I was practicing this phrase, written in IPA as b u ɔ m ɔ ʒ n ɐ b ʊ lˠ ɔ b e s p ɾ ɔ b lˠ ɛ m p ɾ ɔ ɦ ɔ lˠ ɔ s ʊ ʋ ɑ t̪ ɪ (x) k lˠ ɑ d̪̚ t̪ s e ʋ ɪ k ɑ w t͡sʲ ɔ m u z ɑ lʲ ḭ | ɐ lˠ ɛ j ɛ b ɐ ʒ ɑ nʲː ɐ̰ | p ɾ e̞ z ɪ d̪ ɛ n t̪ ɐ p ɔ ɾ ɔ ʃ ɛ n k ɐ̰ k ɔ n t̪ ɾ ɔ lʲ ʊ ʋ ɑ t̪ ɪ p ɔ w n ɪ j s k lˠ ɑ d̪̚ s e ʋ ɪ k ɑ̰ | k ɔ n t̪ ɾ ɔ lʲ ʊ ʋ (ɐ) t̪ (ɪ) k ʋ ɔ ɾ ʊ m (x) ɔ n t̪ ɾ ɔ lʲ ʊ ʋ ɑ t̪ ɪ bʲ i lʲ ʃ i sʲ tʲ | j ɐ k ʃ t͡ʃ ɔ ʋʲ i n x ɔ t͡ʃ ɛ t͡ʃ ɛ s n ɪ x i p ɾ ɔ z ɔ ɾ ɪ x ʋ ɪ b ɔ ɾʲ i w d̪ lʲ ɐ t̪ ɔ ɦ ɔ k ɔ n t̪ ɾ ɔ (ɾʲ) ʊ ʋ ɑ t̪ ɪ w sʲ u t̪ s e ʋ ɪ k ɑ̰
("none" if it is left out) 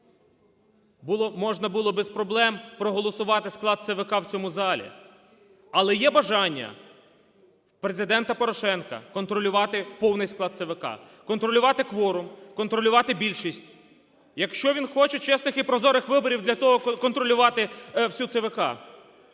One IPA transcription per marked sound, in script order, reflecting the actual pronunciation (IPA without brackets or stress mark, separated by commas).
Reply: s, ɑ, ɪ, k, lʲ